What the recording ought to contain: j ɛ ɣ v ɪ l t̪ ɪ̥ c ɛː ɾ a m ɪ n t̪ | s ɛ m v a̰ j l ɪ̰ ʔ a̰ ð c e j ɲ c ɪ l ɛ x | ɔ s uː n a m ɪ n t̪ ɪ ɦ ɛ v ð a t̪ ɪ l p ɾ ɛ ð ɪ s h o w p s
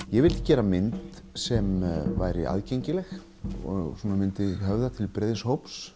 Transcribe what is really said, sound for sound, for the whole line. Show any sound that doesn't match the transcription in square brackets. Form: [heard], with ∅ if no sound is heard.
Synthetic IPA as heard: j ɛ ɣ v ɪ l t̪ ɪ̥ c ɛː ɾ a m ɪ n t̪ | s ɛ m v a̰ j [ɾ] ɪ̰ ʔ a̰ ð c e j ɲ c ɪ l ɛ x | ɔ s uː n a m ɪ n t̪ ɪ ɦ [œ] v ð a [t̪ʰ] ɪ l p ɾ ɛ ð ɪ s h o w p s